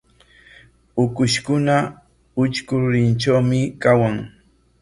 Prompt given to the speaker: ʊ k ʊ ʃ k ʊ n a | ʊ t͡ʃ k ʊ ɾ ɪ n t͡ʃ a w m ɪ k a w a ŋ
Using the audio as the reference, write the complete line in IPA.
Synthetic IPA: ʊ k ʊ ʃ k ʊ n a | ʊ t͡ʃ k ʊ ɾ ɪ n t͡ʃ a w m ɪ k a w a ŋ